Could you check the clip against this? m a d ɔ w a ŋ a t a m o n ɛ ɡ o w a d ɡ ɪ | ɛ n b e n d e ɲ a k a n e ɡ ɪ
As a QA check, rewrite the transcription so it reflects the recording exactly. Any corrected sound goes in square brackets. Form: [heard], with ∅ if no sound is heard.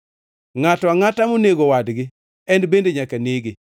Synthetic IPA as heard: [ŋ] a [t] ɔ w a ŋ a t a m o n [e] ɡ o w a d ɡ ɪ | ɛ n b e n d e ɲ a k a n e ɡ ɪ